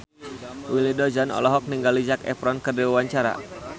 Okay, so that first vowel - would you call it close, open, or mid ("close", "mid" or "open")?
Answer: close